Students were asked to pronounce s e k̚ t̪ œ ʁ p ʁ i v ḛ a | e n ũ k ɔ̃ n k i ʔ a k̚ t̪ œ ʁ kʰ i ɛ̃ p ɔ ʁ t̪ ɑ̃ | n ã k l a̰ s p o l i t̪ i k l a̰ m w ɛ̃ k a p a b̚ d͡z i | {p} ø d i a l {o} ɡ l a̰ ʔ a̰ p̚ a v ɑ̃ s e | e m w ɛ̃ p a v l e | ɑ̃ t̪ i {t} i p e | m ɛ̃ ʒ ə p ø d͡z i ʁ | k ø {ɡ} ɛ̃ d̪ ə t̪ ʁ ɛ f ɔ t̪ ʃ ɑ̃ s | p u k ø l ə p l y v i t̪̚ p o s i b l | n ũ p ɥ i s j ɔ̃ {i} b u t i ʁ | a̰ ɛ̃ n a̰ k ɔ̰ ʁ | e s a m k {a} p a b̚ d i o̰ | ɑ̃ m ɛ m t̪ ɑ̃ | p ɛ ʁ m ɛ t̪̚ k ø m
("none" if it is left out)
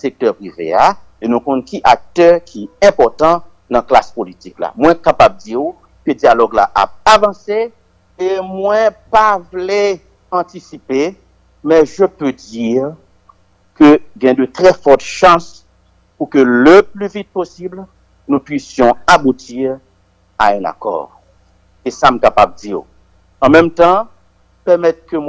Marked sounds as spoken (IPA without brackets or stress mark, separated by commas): k, ɔ, s, ɡ, a, a